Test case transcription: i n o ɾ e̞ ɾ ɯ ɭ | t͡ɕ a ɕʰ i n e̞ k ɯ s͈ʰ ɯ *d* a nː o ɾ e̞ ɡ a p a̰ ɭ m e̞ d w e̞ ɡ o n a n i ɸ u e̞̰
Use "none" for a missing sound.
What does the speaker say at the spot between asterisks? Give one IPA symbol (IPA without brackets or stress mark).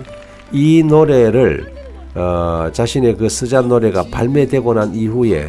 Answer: d͡ʑ